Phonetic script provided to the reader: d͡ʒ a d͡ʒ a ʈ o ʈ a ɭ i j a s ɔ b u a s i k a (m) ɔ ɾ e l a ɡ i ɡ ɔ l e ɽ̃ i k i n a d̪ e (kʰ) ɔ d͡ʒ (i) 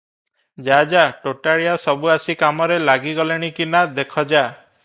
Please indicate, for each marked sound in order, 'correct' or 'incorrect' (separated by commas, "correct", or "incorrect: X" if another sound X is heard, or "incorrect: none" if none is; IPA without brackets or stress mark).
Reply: correct, correct, incorrect: a